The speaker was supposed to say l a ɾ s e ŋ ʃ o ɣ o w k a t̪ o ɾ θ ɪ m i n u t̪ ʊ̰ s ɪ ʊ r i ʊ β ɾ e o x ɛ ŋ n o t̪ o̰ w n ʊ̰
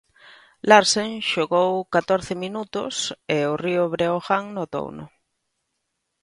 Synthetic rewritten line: l a ɾ s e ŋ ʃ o ɣ o w k a t̪ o ɾ θ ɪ m i n u t̪ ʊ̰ s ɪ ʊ r i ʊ β ɾ e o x a ŋ n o t̪ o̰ w n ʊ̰